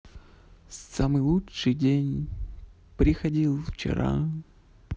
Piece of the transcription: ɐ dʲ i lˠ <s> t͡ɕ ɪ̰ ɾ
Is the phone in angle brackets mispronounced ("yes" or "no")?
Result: yes